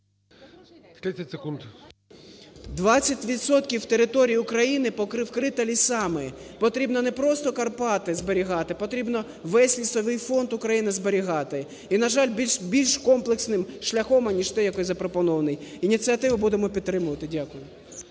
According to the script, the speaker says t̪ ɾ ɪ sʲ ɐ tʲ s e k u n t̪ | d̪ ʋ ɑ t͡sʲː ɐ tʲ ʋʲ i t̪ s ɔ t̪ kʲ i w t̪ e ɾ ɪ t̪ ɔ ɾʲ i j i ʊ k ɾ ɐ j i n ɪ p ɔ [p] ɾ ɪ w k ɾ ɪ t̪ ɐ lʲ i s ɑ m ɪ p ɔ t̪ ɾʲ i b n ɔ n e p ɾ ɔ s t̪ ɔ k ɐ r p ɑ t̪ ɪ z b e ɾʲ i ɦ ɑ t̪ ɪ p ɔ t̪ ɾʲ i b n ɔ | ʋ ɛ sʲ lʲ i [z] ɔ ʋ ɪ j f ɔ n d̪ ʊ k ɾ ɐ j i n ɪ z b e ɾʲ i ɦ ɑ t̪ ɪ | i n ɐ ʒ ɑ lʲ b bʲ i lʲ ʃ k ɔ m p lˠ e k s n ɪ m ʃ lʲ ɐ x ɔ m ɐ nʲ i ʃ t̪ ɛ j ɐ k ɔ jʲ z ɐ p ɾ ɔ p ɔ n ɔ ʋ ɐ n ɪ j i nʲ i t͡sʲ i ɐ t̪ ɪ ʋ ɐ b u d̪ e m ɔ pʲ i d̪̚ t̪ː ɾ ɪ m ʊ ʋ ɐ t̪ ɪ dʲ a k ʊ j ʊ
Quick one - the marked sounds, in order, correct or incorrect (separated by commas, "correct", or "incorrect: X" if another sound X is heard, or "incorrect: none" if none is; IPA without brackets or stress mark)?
incorrect: k, incorrect: s